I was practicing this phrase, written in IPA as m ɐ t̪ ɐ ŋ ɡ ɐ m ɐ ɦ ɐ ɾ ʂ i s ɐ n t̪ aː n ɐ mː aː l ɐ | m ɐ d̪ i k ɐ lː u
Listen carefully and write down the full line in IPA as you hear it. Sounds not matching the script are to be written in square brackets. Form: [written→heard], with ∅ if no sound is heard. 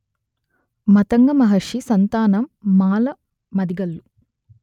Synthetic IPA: m ɐ t̪ ɐ ŋ ɡ ɐ m ɐ ɦ ɐ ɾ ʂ i s ɐ n t̪ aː n ɐ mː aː l ɐ | m ɐ d̪ i [k→ɡ] ɐ lː u

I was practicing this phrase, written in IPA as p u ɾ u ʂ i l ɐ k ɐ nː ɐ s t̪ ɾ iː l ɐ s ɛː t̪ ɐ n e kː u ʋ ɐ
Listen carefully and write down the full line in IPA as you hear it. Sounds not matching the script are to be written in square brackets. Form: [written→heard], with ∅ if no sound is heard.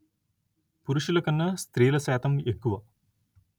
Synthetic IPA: p u ɾ u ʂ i l ɐ k ɐ nː ɐ s t̪ ɾ iː l ɐ s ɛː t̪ ɐ [n→m] e kː u ʋ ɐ

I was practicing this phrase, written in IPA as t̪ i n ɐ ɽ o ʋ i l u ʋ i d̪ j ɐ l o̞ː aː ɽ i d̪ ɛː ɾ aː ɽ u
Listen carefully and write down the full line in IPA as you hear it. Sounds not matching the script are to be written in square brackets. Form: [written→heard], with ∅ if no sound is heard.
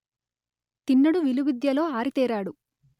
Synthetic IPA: t̪ i [n→nː] ɐ ɽ [o→u] ʋ i l u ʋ i d̪ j ɐ l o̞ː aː [ɽ→ɾ] i [d̪→t̪] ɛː ɾ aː ɽ u

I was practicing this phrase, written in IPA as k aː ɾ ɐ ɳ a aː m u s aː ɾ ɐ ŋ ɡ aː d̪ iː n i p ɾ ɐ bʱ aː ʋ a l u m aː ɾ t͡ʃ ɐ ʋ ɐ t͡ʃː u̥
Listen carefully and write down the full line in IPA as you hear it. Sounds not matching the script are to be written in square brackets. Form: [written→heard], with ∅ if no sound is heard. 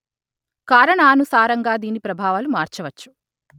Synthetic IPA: k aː ɾ ɐ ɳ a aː [m→n] u s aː ɾ ɐ ŋ ɡ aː d̪ iː n i p ɾ ɐ bʱ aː ʋ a l u m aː ɾ t͡ʃ ɐ ʋ ɐ t͡ʃː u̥

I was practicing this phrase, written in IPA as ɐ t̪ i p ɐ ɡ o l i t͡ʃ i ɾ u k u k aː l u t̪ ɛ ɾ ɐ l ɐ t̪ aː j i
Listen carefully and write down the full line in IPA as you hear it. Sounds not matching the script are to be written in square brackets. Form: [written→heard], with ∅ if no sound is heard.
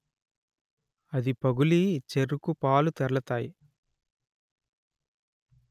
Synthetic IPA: ɐ [t̪→d̪] i p ɐ ɡ [o→u] l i t͡ʃ [i→e] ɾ u k u [k→p] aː l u t̪ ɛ ɾ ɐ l ɐ t̪ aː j i

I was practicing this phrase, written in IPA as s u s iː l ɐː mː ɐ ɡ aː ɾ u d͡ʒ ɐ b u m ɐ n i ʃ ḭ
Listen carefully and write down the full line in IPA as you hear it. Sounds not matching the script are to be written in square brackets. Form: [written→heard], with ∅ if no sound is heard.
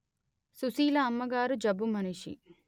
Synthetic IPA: s u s iː l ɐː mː ɐ ɡ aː ɾ u d͡ʒ ɐ b u m ɐ n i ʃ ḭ

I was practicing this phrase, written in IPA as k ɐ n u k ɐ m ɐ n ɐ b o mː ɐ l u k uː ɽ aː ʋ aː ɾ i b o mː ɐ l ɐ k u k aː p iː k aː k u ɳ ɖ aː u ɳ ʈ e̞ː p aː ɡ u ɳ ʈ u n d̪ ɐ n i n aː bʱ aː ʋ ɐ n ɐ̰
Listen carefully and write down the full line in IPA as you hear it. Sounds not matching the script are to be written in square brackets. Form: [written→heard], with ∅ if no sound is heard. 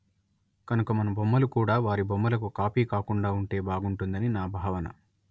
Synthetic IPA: k ɐ n u k ɐ m ɐ n ɐ b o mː ɐ l u k uː ɽ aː ʋ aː ɾ i b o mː ɐ l ɐ k u k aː p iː k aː k u ɳ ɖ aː u ɳ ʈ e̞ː [p→b] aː ɡ u ɳ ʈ u n d̪ ɐ n i n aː bʱ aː ʋ ɐ n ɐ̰

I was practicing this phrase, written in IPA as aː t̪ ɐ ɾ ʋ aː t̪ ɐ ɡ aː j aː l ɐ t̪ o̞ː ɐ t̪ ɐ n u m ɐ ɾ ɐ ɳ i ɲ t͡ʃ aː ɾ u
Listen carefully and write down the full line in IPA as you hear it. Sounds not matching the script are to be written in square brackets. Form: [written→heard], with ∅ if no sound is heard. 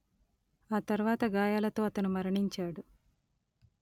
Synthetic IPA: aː t̪ ɐ ɾ ʋ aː t̪ ɐ ɡ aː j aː l ɐ t̪ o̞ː ɐ t̪ ɐ n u m ɐ ɾ ɐ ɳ i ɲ t͡ʃ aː [ɾ→ɽ] u

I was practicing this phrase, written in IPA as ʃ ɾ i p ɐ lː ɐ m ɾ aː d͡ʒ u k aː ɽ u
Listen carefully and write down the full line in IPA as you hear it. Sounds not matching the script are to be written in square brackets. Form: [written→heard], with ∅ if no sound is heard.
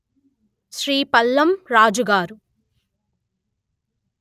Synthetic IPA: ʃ ɾ [i→iː] p ɐ lː ɐ m ɾ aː d͡ʒ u [k→ɡ] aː [ɽ→ɾ] u

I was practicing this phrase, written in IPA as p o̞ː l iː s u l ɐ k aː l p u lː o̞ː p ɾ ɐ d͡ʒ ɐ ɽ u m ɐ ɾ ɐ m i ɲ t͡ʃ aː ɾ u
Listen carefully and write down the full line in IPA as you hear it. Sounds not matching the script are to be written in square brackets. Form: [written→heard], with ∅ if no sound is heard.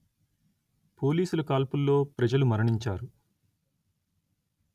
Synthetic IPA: p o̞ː l iː s u l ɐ k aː l p u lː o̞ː p ɾ ɐ d͡ʒ ɐ [ɽ→l] u m ɐ ɾ ɐ [m→ɳ] i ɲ t͡ʃ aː ɾ u

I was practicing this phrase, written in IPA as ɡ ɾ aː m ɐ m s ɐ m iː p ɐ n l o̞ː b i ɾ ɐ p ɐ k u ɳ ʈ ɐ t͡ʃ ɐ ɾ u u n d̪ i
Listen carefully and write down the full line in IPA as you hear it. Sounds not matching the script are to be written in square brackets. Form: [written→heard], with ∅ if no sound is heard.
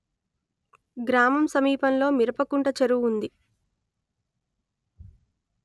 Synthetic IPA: ɡ ɾ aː m ɐ m s ɐ m iː p ɐ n l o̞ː [b→m] i ɾ ɐ p ɐ k u ɳ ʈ ɐ t͡ʃ ɐ ɾ u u n d̪ i

